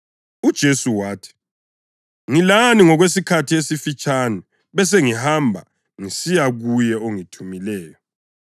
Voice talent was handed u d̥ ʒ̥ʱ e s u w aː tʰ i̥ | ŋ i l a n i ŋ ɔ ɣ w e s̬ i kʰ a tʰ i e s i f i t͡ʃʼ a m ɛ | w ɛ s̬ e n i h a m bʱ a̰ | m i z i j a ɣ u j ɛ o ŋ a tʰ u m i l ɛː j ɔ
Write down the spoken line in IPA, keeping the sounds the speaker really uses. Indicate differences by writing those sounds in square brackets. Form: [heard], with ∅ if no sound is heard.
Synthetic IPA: u d̥ ʒ̥ʱ e s u w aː tʰ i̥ | ŋ i l a n i ŋ ɔ ɣ w e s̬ i kʰ a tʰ i e s i f i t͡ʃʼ a [n] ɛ | [β] ɛ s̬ e [ŋ] i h a m bʱ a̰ | [ŋ] i [s] i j a ɣ u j ɛ o ŋ [i] tʰ u m i l ɛː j ɔ